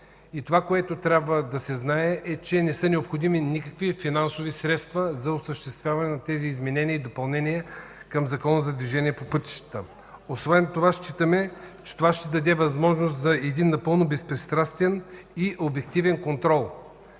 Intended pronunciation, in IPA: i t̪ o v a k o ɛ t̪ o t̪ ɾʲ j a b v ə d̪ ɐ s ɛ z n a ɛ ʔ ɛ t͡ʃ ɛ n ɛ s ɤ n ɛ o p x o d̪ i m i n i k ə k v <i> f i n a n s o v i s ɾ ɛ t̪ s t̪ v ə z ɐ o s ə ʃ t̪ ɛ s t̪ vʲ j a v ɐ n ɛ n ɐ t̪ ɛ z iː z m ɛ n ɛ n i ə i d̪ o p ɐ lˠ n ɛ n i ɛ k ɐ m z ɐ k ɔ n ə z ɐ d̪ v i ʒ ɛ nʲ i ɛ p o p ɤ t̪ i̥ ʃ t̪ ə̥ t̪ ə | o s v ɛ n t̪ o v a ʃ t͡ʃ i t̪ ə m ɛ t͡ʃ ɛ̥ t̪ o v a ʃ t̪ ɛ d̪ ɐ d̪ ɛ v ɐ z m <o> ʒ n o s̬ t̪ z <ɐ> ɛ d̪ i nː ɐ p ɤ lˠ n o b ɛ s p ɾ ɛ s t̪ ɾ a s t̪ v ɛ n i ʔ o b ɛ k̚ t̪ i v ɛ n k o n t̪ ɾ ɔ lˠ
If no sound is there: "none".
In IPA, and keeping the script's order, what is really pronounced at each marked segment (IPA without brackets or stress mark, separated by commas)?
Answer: i, ɔ, ɐ